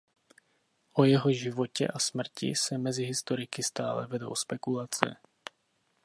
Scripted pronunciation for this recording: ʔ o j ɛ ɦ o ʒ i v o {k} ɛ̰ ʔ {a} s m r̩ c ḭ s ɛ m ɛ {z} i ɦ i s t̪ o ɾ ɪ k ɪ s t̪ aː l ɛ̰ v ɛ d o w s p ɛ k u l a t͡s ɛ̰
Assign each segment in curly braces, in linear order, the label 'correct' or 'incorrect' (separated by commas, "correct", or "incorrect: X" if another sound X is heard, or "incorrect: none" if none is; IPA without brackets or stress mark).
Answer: incorrect: c, correct, correct